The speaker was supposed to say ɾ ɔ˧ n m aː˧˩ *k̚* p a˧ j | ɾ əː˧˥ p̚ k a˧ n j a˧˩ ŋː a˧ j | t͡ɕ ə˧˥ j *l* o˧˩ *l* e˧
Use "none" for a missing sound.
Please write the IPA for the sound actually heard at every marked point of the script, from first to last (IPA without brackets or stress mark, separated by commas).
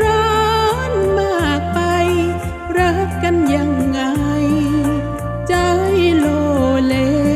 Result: k̚, l, l